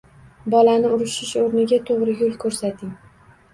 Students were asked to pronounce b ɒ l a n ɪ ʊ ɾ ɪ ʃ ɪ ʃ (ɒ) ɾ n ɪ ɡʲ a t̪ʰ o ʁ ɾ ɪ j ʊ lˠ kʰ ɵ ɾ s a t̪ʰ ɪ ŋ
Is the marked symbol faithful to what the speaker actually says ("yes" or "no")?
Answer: no